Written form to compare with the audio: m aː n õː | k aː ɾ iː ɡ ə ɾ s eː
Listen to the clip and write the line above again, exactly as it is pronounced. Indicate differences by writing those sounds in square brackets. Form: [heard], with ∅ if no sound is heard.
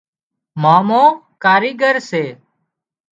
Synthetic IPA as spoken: m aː [m] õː | k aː ɾ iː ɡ ə ɾ s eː